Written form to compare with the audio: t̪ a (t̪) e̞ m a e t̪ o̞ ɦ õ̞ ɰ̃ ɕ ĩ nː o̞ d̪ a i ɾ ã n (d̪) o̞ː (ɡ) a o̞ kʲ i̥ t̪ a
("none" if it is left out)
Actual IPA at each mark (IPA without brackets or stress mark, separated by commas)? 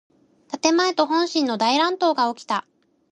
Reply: t̪, t̪, ɡ